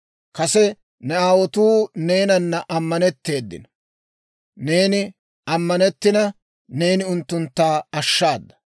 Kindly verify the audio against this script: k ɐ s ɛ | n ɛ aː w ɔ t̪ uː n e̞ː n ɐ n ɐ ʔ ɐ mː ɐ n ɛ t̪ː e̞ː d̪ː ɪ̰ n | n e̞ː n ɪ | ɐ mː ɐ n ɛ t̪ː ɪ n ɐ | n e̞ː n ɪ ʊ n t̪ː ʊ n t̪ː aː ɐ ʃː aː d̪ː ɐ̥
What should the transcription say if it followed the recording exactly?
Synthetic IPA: k ɐ s ɛ | n ɛ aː w ɔ t̪ uː n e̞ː n ɐ nː ɐ ʔ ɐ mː ɐ n ɛ t̪ː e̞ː d̪ː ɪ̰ n | n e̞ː n ɪ | ɐ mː ɐ n ɛ t̪ː ɪ n ɐ | n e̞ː n ɪ ʊ n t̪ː ʊ n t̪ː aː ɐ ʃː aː d̪ː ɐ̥